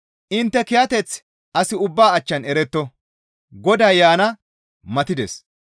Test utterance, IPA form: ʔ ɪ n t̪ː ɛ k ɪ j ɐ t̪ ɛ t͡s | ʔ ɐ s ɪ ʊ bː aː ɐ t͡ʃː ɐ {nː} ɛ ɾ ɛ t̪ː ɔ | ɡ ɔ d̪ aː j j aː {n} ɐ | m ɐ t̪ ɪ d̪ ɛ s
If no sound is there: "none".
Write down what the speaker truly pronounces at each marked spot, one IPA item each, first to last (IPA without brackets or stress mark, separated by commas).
n, n